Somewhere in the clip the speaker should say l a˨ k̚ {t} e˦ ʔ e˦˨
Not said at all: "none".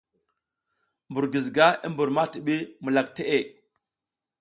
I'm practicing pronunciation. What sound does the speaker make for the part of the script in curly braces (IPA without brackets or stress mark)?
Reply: t